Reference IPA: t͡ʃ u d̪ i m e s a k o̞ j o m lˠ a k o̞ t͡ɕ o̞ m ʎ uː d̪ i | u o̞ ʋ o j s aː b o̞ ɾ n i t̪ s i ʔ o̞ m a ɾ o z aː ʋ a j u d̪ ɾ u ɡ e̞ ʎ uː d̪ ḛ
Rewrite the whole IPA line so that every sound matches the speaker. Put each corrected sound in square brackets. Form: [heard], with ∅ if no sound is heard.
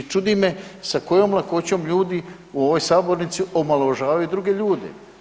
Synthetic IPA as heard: t͡ʃ u d̪ i m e s a k o̞ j o m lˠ a k o̞ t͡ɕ o̞ m ʎ uː d̪ i | u o̞ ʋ o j s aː b o̞ ɾ n i t̪ s i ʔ o̞ m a [l] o [ʒ] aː ʋ a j u d̪ ɾ u ɡ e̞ ʎ uː d̪ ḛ